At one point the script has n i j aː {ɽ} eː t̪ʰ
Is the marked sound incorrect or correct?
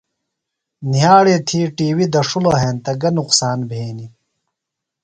correct